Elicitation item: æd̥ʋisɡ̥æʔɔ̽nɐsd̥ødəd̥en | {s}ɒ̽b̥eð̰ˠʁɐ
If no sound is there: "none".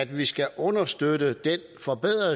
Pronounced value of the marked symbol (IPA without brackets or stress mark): f